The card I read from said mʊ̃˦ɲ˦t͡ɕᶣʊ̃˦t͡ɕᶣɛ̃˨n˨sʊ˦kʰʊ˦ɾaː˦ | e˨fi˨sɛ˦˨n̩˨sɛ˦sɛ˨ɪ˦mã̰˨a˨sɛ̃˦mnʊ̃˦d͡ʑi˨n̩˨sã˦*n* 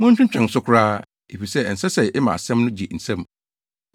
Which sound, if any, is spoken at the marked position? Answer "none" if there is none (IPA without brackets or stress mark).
m